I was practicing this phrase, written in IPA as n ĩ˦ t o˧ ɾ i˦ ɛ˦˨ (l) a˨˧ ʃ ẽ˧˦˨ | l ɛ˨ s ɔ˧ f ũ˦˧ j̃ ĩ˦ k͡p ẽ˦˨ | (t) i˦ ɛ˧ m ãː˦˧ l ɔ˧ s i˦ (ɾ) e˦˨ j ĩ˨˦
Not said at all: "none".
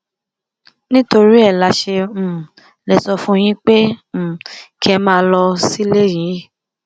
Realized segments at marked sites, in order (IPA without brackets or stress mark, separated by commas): l, k, l